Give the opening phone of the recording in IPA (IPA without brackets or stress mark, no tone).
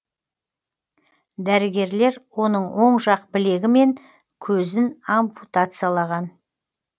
d̪